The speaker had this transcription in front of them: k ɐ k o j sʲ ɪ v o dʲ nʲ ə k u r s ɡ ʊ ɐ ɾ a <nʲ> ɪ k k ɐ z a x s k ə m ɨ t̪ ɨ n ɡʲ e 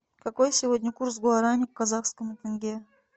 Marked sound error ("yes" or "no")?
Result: no